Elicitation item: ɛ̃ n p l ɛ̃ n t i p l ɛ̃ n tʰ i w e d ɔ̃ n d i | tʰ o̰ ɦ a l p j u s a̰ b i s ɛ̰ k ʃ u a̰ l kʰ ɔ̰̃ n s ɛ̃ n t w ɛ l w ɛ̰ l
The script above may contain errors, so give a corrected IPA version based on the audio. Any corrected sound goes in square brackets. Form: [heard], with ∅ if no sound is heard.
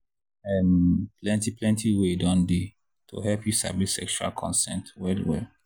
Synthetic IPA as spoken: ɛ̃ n p l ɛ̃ n t i p l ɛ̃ n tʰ i w e d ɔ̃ n d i | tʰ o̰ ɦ [ɛ] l p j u s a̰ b i s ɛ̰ k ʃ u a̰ l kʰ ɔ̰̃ n s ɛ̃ n t w ɛ l w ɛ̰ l